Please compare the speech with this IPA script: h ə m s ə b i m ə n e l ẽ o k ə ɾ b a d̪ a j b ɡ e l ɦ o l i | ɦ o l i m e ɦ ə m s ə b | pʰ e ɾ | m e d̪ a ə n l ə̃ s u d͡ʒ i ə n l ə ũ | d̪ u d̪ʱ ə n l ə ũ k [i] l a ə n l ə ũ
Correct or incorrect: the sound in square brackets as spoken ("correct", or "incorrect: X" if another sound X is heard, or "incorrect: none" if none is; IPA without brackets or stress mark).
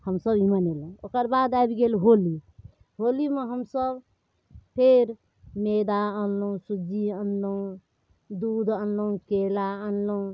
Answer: incorrect: e